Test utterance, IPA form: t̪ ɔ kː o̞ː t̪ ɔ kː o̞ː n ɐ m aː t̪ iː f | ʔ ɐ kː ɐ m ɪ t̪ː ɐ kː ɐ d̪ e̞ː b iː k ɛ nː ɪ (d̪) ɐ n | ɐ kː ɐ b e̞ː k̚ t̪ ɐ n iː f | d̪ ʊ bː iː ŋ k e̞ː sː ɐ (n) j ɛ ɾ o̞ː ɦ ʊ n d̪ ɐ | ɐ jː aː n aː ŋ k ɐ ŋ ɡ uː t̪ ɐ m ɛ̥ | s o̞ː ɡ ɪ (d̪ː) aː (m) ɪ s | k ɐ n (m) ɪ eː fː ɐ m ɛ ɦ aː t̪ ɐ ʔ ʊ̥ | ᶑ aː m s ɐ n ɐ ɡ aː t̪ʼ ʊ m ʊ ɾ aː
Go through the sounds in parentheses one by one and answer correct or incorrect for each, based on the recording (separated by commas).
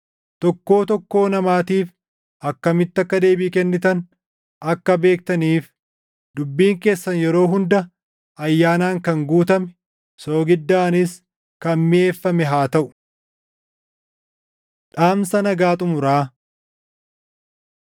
incorrect, correct, correct, incorrect, correct